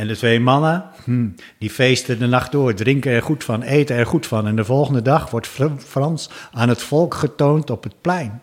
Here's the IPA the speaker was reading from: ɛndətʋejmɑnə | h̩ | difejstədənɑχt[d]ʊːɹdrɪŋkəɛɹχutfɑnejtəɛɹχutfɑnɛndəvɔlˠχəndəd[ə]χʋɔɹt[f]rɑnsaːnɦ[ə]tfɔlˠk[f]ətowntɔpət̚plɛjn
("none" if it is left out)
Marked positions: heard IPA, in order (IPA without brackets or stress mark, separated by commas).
d, ɑ, f, ə, χ